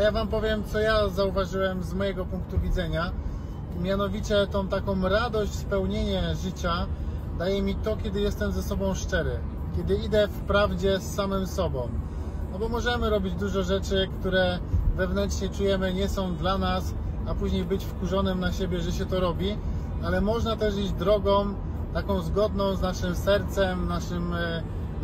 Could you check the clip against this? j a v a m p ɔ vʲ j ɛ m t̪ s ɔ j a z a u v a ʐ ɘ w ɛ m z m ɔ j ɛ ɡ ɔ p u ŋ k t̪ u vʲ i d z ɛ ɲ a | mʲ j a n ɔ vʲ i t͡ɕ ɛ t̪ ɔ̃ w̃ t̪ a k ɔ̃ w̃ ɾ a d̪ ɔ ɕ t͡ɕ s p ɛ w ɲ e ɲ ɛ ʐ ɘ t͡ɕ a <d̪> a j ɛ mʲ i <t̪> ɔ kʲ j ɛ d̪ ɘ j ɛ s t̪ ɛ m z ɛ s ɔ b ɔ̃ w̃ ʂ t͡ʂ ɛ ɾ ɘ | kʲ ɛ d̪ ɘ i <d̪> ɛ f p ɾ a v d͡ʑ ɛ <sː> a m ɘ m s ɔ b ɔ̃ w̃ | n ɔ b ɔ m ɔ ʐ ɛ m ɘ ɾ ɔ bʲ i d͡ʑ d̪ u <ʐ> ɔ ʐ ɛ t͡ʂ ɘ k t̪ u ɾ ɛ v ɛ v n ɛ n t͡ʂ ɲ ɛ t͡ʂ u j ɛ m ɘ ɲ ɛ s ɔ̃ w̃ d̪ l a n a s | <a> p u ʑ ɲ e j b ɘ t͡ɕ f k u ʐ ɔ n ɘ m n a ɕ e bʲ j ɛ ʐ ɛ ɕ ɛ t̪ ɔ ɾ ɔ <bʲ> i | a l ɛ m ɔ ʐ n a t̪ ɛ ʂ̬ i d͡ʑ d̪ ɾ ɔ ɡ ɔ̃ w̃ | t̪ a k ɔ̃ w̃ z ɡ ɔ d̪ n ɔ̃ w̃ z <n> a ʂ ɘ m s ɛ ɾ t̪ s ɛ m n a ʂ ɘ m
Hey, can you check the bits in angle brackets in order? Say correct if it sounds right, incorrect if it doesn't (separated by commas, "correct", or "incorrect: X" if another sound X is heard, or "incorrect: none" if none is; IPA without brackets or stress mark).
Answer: correct, correct, correct, correct, correct, correct, correct, correct